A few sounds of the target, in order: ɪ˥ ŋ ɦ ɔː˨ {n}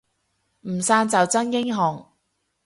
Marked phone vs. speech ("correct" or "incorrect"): incorrect